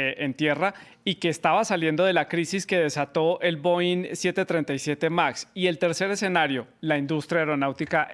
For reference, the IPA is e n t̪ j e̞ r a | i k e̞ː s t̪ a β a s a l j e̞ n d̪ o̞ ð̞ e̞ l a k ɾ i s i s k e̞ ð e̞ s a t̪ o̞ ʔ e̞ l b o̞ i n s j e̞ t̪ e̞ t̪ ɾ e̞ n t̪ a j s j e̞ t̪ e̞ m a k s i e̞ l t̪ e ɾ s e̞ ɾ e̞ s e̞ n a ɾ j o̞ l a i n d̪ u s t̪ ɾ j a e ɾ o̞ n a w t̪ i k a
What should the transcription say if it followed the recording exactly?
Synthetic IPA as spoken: e n t̪ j e̞ r a | i k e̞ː s t̪ a β a s a l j e̞ n d̪ o̞ ð̞ e̞ l a k ɾ i s i s k e̞ ð e̞ s a t̪ o̞ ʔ e̞ l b o̞ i n s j e̞ t̪ e̞ t̪ ɾ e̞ n t̪ a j s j e̞ t̪ e̞ m a k s i e̞ l t̪ e ɾ s e̞ ɾ e̞ s e̞ n a ɾ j o̞ l a i n d̪ u s t̪ ɾ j a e ɾ o̞ n a w t̪ i k a